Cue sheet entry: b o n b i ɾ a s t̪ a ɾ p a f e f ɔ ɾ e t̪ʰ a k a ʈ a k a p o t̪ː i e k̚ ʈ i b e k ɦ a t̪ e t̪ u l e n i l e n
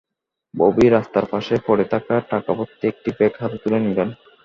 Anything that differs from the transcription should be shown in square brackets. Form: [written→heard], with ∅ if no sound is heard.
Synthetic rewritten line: b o [n→∅] b i ɾ a s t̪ a ɾ p a [f→ʃ] e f ɔ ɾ e t̪ʰ a k a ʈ a k a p o t̪ː i e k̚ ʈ i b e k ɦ a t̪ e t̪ u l e n i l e n